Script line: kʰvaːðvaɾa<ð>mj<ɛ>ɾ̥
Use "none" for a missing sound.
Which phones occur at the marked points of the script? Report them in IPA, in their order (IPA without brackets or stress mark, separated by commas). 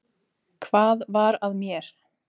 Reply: ð, ɛ